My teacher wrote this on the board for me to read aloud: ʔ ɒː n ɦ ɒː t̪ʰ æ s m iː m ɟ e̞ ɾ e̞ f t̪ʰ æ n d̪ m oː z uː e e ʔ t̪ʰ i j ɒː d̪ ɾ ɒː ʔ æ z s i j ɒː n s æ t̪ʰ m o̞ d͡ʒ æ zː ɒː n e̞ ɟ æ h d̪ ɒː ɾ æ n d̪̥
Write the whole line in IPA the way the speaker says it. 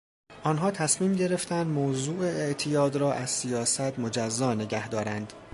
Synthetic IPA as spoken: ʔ ɒː n ɦ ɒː t̪ʰ æ s m iː m ɟ e̞ ɾ e̞ f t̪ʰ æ n d̪ m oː z uː e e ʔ t̪ʰ i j ɒː d̪ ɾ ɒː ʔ æ z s i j ɒː s æ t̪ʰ m o̞ d͡ʒ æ zː ɒː n e̞ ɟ æ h d̪ ɒː ɾ æ n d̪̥